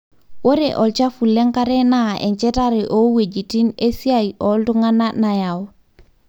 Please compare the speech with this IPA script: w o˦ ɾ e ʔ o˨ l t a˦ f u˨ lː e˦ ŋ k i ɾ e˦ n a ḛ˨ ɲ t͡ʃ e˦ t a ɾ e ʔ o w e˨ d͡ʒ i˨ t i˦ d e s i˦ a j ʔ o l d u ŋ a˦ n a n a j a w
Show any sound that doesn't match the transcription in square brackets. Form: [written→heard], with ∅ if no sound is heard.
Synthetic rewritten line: w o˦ ɾ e ʔ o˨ l [t→t͡ʃ] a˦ f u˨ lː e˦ ŋ k [i→a] ɾ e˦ n a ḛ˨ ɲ t͡ʃ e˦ t a ɾ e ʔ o w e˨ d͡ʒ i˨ t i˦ [d→n] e s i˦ a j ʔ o l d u ŋ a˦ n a n a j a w